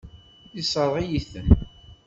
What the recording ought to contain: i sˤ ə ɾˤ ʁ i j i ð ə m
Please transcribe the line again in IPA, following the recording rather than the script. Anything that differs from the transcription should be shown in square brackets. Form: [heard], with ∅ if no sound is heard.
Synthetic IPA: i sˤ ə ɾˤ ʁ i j i [θ] ə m